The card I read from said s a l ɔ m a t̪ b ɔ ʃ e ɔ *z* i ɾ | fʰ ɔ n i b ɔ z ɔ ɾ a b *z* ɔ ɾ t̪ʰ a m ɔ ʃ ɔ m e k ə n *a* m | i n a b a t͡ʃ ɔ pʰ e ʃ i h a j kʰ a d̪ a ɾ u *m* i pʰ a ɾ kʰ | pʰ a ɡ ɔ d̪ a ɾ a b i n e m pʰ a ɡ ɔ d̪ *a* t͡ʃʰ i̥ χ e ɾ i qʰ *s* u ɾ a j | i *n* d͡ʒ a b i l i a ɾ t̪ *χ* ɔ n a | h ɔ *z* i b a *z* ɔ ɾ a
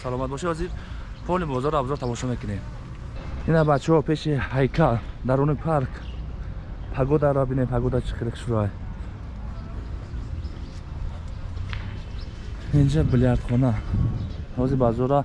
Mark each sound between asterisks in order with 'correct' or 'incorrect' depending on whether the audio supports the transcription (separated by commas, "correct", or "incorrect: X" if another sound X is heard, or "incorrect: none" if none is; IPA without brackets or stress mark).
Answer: correct, correct, incorrect: e, incorrect: n, correct, incorrect: ʃ, correct, correct, correct, correct